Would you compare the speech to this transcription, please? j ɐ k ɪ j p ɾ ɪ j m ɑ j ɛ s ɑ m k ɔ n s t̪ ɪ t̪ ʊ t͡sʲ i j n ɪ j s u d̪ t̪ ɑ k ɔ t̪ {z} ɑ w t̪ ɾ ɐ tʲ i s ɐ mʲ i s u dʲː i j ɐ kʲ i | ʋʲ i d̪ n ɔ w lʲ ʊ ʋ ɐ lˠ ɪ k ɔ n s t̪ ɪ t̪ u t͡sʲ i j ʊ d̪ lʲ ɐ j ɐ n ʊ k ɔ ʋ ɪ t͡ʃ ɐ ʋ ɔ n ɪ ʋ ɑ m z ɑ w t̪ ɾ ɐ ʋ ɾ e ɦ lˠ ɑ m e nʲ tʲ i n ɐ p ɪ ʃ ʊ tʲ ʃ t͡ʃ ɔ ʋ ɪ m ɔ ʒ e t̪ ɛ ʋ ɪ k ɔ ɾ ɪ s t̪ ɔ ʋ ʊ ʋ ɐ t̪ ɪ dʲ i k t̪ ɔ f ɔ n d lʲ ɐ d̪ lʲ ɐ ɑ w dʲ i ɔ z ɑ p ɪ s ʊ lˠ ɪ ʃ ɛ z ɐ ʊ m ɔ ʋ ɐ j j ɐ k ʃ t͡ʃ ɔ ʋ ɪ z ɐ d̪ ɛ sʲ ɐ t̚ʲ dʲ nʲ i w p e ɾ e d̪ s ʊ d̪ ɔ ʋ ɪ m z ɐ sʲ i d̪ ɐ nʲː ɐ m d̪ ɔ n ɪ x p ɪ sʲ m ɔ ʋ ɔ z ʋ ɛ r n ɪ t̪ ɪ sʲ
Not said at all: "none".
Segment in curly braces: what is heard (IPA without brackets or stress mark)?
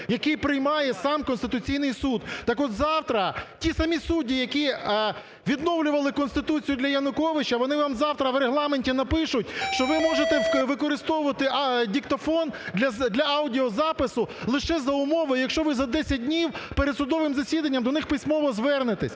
z